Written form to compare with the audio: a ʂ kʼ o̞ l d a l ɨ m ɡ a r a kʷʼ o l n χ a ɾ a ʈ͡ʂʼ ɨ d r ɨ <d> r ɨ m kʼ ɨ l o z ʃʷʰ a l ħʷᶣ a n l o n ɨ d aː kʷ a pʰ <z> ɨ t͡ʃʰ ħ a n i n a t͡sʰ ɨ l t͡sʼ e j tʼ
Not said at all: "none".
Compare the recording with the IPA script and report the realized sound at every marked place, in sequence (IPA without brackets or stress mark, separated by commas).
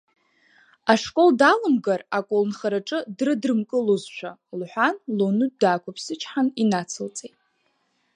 d, s